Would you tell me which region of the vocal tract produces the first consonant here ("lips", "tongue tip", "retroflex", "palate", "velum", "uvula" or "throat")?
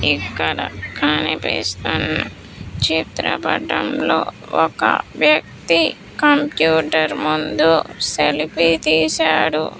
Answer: velum